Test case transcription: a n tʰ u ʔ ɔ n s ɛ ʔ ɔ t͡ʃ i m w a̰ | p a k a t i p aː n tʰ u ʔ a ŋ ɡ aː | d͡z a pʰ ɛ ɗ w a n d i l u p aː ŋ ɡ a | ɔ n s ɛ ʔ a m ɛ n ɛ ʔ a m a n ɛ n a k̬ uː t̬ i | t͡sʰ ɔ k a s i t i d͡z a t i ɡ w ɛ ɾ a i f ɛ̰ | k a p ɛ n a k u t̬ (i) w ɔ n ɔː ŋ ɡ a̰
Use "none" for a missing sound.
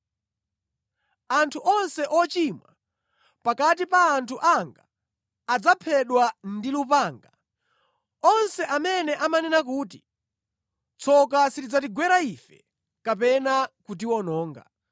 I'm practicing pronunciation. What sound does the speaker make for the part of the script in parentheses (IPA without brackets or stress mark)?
i